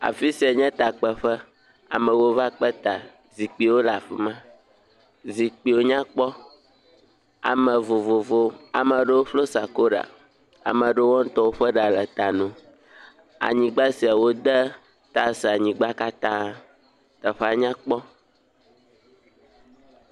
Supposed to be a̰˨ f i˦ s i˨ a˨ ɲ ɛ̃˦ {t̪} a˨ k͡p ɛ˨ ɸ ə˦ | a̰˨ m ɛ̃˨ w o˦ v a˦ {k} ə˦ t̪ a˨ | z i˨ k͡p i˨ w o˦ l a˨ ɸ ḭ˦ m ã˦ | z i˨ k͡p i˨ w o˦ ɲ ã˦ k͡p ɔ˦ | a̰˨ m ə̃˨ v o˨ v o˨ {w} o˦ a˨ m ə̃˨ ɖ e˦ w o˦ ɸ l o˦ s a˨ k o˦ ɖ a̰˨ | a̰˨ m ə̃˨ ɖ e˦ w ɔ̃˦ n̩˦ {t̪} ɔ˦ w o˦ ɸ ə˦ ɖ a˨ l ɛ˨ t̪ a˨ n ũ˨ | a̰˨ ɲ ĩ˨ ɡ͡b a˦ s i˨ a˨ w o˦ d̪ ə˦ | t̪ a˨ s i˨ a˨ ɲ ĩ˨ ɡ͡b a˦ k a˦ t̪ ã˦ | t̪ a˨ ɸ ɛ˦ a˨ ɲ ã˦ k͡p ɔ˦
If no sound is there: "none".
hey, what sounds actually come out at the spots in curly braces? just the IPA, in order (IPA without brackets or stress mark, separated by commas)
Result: t̪, k͡p, v, t̪